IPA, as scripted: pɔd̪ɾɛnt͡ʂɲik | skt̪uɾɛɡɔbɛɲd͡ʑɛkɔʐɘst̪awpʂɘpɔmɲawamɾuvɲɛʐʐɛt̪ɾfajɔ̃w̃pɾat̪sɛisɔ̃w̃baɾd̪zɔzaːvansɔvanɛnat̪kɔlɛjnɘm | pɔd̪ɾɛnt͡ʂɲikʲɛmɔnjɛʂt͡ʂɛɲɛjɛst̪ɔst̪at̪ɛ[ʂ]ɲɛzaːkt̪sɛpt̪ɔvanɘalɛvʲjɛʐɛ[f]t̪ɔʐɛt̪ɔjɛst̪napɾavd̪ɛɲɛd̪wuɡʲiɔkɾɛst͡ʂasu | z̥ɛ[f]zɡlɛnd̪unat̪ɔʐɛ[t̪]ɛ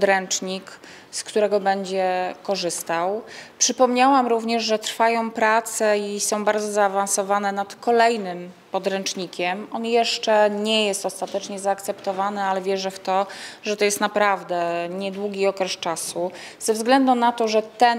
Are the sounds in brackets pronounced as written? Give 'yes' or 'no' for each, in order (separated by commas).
no, yes, no, yes